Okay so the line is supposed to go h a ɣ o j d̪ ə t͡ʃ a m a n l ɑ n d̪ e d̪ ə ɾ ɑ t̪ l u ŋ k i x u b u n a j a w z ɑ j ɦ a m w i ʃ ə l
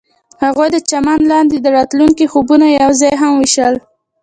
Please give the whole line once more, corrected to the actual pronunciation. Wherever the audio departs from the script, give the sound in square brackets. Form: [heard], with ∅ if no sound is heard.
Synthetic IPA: h a ɣ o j d̪ ə t͡ʃ a m a n l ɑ n d̪ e d̪ ə ɾ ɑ t̪ l u ŋ k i x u b u n a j a w z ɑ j ɦ a m w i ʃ ə l